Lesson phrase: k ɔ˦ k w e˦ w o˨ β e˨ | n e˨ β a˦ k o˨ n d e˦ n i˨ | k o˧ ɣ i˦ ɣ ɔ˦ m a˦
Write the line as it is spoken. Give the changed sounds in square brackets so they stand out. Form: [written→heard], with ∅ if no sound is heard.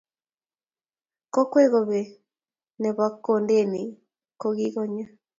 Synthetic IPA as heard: k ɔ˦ k w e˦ [w→ɣ] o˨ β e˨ | n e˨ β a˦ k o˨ n d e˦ n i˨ | k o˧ ɣ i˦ ɣ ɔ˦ [m→ɲ] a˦